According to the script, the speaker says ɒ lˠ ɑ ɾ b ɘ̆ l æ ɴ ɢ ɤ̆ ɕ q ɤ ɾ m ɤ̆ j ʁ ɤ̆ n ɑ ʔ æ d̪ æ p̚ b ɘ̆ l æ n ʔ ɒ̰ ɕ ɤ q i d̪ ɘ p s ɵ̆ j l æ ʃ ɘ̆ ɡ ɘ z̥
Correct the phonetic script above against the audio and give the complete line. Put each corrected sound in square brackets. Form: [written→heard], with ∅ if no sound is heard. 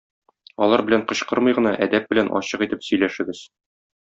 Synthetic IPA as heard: ɒ lˠ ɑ ɾ b ɘ̆ l æ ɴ [ɢ→q] ɤ̆ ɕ q ɤ ɾ m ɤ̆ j ʁ ɤ̆ n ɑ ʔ æ d̪ æ p̚ b ɘ̆ l æ n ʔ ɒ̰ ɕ ɤ q i [d̪→t̪] ɘ p s ɵ̆ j l æ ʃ ɘ̆ ɡ ɘ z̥

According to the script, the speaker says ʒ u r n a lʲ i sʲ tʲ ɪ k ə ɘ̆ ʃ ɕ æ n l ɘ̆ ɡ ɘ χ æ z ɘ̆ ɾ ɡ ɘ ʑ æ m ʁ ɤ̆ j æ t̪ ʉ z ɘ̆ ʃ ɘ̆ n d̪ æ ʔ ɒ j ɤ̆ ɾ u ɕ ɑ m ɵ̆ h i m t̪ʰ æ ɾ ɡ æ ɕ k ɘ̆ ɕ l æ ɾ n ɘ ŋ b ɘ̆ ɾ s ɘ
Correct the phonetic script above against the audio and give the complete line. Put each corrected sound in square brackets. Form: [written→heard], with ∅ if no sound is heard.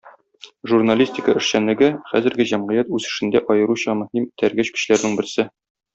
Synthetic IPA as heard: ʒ u r n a lʲ i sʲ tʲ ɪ k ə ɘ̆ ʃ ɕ æ n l ɘ̆ ɡ ɘ χ æ z ɘ̆ ɾ ɡ ɘ ʑ æ m ʁ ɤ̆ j æ t̪ ʉ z ɘ̆ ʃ ɘ̆ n d̪ æ ʔ ɒ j ɤ̆ ɾ u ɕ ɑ m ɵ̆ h i m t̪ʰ æ ɾ ɡ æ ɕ k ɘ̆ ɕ l æ ɾ n ɘ ŋ b ɘ̆ ɾ s ɘ

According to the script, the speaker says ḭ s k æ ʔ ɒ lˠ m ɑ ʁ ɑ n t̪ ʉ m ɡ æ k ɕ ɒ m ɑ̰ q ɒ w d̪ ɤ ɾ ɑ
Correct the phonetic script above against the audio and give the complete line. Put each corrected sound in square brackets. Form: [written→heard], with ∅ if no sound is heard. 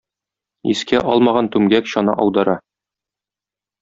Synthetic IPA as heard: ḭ s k æ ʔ ɒ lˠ m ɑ ʁ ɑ n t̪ ʉ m ɡ æ k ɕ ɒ [m→n] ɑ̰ [q→ʔ] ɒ w d̪ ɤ ɾ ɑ

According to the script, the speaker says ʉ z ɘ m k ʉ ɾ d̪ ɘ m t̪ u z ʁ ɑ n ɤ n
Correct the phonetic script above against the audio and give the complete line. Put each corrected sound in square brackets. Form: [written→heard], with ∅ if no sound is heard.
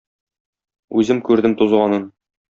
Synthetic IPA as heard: ʉ z ɘ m k ʉ ɾ d̪ ɘ m t̪ u z ʁ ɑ n ɤ n

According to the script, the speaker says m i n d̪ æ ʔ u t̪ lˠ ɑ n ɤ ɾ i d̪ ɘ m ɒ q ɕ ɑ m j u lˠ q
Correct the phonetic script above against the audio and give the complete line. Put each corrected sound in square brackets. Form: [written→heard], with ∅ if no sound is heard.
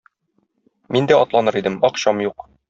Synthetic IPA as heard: m i n d̪ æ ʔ [u→ɒ] t̪ lˠ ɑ n ɤ ɾ i d̪ ɘ m ɒ q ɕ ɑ m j u [lˠ→∅] q

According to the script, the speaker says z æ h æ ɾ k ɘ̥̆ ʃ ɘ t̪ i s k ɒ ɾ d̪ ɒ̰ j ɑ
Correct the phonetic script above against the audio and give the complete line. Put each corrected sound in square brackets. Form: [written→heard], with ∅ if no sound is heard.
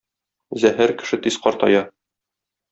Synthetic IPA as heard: z æ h æ ɾ k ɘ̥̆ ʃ ɘ t̪ i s [k→q] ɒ ɾ [d̪→t̪] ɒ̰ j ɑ

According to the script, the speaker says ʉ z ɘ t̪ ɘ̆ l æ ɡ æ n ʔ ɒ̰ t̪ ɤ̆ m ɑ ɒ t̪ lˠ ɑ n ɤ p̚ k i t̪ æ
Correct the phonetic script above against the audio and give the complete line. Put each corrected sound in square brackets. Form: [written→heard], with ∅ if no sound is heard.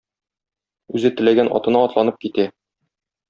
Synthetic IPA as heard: ʉ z ɘ t̪ ɘ̆ l æ ɡ æ n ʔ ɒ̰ t̪ ɤ̆ [m→n] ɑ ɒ t̪ lˠ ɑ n ɤ p̚ k i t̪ æ

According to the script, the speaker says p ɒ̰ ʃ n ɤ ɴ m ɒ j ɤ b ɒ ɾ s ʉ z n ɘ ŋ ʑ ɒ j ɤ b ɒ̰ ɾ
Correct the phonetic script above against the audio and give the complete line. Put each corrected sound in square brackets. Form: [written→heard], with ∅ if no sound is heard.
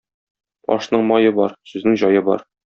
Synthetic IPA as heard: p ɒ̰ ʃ n ɤ ɴ m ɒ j ɤ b ɒ ɾ s ʉ z n ɘ ŋ ʑ ɒ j ɤ b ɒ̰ ɾ

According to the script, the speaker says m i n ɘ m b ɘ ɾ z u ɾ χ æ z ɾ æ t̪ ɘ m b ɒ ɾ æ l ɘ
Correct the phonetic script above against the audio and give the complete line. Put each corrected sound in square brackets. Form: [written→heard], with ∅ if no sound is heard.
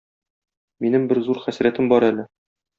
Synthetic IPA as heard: m i n ɘ m b ɘ ɾ z u ɾ χ æ [z→s] ɾ æ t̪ ɘ m b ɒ ɾ æ l ɘ

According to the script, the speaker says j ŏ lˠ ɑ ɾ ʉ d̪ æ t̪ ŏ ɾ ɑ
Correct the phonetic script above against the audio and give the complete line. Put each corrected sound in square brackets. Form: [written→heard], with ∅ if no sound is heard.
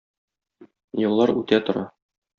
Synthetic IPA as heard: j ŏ [lˠ→lˠː] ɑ ɾ ʉ [d̪→t̪] æ t̪ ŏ ɾ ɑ

